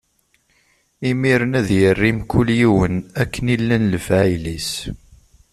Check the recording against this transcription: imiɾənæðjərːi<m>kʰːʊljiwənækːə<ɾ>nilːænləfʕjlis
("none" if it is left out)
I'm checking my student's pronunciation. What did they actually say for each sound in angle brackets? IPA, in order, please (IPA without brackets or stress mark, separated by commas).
m, none